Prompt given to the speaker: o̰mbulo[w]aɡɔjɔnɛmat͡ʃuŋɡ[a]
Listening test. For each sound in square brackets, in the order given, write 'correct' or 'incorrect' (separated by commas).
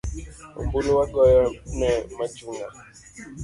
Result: correct, correct